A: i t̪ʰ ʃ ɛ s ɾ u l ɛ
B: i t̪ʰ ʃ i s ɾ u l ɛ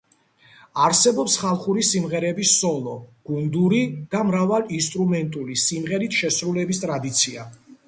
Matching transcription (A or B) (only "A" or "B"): A